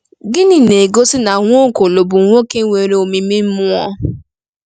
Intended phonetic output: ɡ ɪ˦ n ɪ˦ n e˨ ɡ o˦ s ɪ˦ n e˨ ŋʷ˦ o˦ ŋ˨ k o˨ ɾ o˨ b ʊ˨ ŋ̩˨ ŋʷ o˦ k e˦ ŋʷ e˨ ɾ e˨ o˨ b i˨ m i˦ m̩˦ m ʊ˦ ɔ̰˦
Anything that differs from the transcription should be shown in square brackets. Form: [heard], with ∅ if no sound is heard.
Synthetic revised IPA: ɡ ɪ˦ n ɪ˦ n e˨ ɡ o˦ s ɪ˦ n [a˨] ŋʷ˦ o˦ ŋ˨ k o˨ [l] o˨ b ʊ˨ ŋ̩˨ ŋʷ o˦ k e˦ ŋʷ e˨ ɾ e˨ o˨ [m] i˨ m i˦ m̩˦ m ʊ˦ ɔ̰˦